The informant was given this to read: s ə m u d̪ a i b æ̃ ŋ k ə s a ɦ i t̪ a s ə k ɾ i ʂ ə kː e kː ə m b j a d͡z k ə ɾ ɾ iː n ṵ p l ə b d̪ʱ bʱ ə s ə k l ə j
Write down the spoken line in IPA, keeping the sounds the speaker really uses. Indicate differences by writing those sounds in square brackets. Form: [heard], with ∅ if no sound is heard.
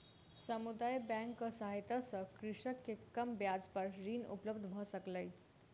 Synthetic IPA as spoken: s ə m u d̪ a [j] b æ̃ ŋ k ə s a ɦ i t̪ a s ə k ɾ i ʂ ə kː e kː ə m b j a d͡z [p] ə ɾ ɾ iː n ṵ p l ə b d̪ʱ bʱ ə s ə k l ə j